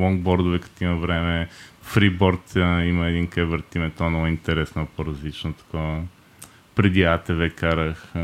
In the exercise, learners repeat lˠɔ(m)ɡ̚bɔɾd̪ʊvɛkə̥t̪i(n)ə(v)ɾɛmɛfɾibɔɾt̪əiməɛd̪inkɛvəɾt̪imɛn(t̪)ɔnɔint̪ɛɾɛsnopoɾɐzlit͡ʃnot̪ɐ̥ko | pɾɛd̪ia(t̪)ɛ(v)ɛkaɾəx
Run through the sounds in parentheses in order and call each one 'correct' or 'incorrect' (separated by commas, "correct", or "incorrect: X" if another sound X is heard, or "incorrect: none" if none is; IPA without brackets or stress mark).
incorrect: ŋ, incorrect: m, correct, correct, correct, correct